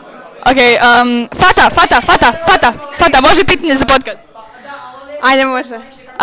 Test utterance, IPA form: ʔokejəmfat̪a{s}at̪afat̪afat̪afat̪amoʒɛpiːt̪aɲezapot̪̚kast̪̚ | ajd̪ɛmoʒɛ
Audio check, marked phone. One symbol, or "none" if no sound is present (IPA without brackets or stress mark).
f